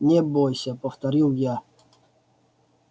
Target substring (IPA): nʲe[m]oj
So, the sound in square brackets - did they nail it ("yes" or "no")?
no